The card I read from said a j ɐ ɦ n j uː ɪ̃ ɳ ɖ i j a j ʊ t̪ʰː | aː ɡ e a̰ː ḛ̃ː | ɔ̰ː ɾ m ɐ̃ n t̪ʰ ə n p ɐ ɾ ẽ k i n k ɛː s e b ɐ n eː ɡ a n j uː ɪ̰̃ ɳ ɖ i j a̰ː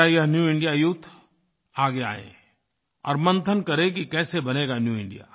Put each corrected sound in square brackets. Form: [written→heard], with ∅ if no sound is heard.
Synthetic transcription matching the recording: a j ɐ ɦ n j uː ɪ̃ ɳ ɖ i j a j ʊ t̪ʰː | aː ɡ e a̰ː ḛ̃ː | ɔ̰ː ɾ m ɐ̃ n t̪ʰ ə n [p→k] ɐ ɾ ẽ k i [n→∅] k ɛː s e b ɐ n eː ɡ a n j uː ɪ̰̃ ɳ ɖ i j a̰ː